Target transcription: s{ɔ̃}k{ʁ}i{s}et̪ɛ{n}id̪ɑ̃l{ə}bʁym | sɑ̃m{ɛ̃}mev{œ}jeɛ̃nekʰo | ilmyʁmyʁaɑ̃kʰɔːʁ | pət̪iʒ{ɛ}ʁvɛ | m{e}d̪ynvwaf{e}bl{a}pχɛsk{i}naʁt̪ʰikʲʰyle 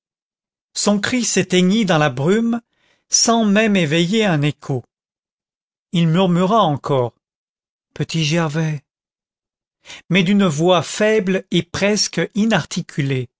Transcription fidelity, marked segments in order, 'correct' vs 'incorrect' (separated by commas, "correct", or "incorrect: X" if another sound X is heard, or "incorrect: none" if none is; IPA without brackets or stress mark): correct, incorrect: χ, correct, incorrect: ɲ, incorrect: a, incorrect: ɛ, incorrect: ɛ, correct, incorrect: ɛ, incorrect: ɛ, incorrect: e, correct